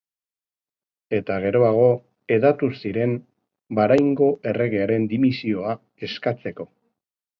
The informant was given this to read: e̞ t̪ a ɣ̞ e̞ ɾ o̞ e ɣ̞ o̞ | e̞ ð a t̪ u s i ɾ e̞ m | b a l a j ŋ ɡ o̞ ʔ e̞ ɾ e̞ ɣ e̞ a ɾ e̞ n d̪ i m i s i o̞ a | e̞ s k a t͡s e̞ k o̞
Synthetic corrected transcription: e̞ t̪ a ɣ̞ e̞ ɾ o̞ a ɣ̞ o̞ | e̞ ð a t̪ u s i ɾ e̞ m | b a ɾ a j ŋ ɡ o̞ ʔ e̞ r e̞ ɣ e̞ a ɾ e̞ n d̪ i m i s i o̞ a | e̞ s k a t͡s e̞ k o̞